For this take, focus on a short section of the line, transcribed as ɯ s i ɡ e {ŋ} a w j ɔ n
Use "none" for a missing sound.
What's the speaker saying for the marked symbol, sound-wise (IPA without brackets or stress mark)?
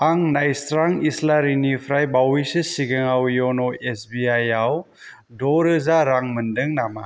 ŋ